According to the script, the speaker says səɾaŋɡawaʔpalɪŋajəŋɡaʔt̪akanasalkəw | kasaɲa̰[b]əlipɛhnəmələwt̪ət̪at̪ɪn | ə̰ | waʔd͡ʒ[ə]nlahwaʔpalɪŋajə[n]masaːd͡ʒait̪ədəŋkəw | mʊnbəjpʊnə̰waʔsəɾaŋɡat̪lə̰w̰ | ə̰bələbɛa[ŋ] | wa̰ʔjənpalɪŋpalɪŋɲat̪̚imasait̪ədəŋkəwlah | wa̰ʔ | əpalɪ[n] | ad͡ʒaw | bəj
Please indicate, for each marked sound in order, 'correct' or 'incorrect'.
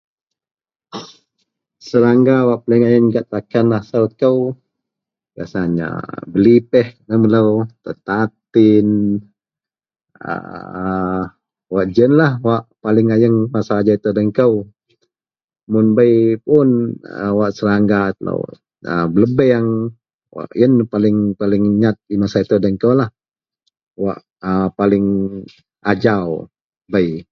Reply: correct, correct, incorrect: ŋ, correct, incorrect: ŋ

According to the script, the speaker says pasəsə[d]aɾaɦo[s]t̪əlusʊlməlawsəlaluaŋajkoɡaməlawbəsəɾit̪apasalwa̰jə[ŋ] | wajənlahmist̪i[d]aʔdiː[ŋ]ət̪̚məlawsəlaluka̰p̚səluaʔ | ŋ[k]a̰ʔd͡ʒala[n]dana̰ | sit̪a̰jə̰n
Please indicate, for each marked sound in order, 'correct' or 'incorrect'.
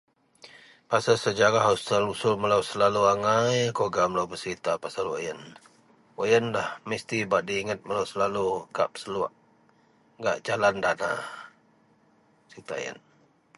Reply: incorrect: d͡ʒ, correct, incorrect: n, incorrect: b, correct, incorrect: ɡ, correct

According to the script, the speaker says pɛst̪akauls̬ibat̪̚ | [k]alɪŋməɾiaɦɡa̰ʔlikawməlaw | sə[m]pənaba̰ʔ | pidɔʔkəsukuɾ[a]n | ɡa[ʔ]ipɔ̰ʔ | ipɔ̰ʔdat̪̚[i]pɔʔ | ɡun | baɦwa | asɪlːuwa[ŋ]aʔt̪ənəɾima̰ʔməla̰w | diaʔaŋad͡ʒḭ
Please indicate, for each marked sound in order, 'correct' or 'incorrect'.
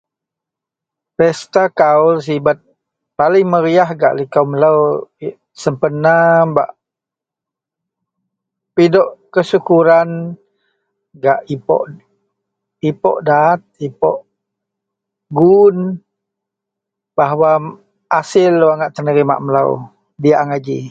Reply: incorrect: p, correct, correct, correct, correct, correct

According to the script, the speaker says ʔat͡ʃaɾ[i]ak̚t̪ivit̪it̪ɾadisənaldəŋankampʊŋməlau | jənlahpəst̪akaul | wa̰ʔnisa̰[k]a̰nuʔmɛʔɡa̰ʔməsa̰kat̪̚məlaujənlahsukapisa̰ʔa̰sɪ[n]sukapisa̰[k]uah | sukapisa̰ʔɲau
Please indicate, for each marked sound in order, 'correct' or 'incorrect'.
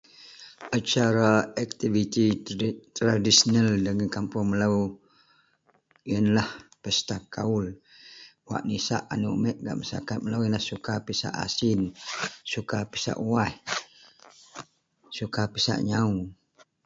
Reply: incorrect: a, incorrect: ʔ, correct, incorrect: ʔ

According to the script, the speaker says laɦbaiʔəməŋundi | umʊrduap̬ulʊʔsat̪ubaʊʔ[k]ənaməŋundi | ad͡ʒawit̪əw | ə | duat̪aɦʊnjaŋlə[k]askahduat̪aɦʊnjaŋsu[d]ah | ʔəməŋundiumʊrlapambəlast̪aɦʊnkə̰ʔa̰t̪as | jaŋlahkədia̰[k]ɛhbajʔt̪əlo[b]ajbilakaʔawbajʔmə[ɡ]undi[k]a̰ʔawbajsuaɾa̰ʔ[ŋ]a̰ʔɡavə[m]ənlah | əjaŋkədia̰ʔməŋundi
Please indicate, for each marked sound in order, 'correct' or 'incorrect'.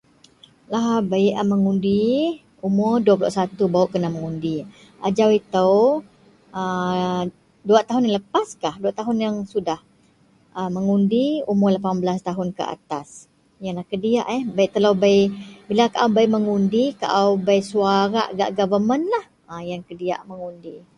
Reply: correct, incorrect: p, correct, incorrect: ʔ, correct, incorrect: ŋ, correct, incorrect: ɡ, correct

